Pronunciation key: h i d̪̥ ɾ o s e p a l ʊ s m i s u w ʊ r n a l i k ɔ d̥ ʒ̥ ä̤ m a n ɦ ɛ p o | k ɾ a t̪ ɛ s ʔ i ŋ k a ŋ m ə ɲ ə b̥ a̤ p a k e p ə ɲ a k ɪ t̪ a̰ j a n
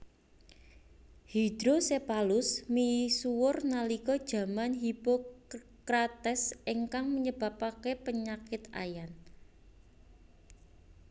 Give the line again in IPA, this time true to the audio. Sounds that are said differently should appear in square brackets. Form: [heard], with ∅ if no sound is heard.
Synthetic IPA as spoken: h i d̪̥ ɾ o s e p a l ʊ s m i s u w ʊ r n a l i k ɔ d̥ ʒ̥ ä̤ m a n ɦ [i] p o | k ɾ a t̪ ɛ s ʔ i ŋ k a ŋ m ə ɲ ə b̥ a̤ p a k e p ə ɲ a k ɪ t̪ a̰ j a n